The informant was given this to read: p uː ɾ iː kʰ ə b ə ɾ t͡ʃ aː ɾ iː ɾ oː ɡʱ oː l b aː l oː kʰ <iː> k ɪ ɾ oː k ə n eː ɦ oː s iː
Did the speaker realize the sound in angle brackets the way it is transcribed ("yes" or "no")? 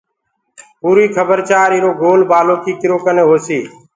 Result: yes